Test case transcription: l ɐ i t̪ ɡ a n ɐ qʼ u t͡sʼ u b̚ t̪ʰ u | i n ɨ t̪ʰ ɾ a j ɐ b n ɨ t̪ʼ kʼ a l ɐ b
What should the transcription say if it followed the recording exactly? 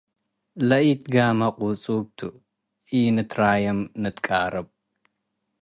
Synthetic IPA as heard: l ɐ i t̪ ɡ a m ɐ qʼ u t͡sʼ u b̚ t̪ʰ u | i n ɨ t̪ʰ ɾ a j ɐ m n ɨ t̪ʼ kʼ a ɾ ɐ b